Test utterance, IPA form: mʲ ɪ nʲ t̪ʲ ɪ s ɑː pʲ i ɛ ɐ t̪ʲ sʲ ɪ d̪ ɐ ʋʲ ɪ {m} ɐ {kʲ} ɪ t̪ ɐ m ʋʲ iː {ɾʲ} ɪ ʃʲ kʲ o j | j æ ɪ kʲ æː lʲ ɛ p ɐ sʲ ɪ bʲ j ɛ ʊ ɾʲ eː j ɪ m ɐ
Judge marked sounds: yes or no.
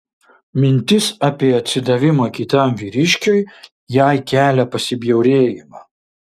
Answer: yes, yes, yes

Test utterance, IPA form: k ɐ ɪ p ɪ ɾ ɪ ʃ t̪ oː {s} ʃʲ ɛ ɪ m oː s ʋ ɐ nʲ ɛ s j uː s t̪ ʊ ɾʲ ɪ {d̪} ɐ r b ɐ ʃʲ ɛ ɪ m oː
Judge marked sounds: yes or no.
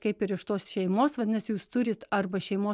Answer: yes, no

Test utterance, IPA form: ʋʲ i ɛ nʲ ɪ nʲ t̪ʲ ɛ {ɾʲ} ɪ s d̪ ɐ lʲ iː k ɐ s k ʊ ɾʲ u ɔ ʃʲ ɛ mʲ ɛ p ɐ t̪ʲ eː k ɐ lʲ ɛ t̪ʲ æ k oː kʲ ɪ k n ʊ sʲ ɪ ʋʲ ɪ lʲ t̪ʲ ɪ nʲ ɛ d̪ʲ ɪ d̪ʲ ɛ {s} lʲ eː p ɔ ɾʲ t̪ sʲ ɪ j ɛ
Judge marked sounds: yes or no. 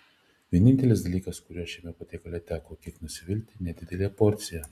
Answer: no, no

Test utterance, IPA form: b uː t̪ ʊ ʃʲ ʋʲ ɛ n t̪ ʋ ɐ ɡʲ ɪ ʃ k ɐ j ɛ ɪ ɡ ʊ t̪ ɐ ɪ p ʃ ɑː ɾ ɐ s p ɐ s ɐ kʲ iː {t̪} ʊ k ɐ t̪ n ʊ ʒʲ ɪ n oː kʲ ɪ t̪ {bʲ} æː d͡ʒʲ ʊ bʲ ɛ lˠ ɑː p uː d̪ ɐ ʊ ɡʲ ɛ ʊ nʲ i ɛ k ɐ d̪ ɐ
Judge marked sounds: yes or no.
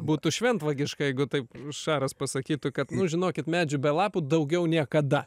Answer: yes, no

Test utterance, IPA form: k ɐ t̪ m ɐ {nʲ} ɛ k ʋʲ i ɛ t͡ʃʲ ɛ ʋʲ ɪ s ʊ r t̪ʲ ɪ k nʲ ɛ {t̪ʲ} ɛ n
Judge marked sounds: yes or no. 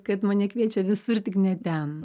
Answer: yes, yes

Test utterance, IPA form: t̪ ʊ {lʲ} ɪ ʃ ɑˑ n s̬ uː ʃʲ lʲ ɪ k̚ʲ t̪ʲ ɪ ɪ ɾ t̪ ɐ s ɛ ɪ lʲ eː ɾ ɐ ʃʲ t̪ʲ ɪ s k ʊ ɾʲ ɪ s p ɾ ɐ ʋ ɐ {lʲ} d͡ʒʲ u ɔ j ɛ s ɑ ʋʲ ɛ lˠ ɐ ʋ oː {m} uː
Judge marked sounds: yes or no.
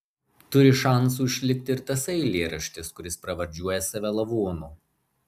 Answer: no, no, no

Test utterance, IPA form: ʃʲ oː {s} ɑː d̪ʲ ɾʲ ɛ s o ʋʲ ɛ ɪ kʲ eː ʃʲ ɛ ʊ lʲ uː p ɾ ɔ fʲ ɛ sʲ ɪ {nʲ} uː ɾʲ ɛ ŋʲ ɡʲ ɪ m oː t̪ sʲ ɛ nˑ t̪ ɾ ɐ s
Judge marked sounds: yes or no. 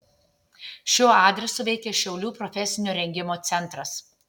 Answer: no, yes

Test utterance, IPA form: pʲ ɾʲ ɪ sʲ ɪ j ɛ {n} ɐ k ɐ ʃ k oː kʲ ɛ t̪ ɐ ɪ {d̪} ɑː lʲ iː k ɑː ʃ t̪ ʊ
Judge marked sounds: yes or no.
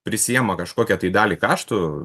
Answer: no, yes

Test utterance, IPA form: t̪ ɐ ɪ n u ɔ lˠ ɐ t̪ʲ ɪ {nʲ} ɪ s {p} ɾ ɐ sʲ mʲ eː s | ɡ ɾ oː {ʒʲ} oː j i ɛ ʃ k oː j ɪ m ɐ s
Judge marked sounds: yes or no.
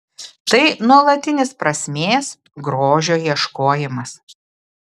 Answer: yes, yes, yes

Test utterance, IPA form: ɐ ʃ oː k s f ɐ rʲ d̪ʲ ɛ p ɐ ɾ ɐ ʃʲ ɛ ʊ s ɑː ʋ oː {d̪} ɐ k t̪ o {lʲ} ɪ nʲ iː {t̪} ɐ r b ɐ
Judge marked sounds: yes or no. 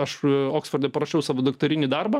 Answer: yes, no, no

